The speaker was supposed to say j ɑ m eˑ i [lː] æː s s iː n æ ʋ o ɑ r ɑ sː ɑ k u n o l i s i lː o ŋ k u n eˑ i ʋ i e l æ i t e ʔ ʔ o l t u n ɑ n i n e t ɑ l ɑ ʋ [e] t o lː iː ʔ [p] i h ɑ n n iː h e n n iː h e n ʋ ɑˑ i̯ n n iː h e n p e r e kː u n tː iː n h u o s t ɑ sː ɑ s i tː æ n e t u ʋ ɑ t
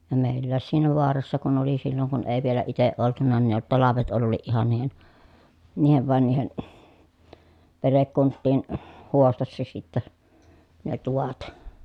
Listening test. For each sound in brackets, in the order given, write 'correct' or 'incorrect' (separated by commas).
correct, correct, incorrect